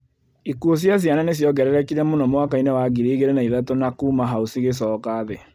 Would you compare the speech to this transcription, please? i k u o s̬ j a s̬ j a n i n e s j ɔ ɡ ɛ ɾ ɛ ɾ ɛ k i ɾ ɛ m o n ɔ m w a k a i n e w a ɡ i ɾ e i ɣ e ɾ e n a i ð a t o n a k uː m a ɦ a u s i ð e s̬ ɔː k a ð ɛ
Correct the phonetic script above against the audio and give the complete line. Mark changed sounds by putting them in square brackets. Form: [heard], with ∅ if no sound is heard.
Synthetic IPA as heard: i k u o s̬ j a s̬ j a n [a] n e s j ɔ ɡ ɛ ɾ ɛ ɾ ɛ k i ɾ ɛ m o n ɔ m w a k a i n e w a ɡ i ɾ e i ɣ e ɾ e n a i ð a t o n a k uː m a ɦ a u s i [ɣ] e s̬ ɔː k a ð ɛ